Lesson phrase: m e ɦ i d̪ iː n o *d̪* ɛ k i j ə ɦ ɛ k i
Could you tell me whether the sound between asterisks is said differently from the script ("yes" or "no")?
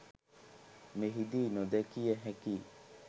no